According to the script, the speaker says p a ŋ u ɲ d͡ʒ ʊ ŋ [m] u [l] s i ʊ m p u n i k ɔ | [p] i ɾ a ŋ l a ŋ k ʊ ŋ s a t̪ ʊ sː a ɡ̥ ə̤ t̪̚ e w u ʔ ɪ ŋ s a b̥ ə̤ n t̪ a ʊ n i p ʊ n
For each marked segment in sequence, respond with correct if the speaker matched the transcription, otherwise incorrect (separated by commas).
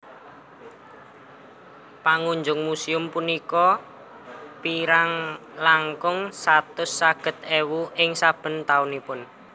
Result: correct, incorrect, correct